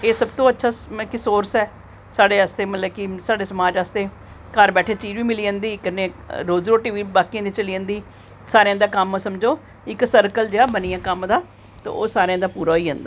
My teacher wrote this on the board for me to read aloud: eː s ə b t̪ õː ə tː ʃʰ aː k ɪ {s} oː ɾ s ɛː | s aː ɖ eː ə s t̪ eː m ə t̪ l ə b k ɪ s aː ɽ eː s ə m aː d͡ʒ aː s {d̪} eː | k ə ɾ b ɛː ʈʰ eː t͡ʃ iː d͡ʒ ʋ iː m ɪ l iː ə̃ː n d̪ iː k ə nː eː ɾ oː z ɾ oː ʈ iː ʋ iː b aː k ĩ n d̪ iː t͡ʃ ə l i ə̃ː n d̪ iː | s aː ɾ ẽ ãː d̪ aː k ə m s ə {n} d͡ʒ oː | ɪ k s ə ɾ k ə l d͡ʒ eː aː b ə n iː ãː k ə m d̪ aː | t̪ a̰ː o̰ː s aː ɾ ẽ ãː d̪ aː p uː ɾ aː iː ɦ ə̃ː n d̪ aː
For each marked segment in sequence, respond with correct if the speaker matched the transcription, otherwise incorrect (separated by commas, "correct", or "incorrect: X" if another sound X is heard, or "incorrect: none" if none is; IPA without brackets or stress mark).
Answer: correct, incorrect: t̪, incorrect: m